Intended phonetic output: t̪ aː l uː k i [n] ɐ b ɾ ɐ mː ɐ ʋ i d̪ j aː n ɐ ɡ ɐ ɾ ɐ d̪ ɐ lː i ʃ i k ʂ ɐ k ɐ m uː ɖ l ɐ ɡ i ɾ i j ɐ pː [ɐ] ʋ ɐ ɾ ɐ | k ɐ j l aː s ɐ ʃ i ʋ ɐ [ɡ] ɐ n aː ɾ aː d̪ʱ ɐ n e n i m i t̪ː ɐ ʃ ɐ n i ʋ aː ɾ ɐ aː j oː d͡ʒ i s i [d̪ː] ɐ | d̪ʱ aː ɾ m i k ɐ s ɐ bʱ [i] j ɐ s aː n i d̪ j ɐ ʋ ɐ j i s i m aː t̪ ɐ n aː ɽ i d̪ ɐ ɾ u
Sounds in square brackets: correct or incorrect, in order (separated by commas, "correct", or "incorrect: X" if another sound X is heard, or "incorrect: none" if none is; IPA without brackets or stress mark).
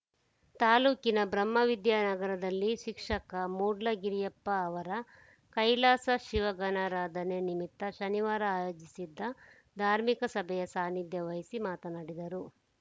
correct, incorrect: ɐː, correct, correct, incorrect: ɛ